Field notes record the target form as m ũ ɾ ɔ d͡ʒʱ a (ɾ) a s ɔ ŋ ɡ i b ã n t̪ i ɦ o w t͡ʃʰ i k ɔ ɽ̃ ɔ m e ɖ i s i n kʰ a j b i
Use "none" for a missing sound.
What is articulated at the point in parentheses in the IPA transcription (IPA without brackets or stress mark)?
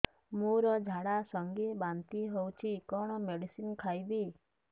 ɽ